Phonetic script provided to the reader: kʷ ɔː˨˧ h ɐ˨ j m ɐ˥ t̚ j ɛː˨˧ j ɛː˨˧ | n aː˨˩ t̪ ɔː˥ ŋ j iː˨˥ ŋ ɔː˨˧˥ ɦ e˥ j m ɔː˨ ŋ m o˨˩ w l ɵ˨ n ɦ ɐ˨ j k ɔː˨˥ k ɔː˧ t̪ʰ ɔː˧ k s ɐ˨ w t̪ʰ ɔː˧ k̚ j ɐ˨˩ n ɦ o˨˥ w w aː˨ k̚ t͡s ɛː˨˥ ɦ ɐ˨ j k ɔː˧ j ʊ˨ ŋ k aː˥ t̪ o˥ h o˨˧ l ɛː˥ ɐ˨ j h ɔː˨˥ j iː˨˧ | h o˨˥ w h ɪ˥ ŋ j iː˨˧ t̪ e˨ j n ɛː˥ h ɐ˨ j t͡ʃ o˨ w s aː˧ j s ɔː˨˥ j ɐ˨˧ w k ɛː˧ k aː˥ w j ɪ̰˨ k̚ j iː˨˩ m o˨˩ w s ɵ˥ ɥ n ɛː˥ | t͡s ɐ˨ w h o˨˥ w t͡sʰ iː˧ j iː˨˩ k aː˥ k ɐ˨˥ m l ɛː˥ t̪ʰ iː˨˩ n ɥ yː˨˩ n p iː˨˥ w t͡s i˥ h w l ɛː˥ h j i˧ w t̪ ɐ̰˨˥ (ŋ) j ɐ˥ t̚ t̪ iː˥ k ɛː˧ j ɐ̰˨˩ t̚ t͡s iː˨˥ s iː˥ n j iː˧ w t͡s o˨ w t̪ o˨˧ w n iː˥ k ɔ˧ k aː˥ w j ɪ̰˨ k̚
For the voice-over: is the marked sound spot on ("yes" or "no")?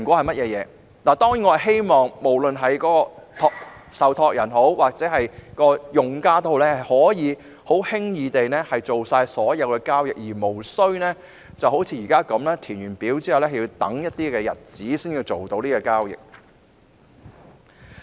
yes